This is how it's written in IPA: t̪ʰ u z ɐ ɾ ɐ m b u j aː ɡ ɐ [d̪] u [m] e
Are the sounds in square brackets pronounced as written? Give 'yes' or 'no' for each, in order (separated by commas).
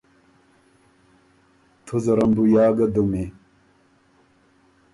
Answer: yes, yes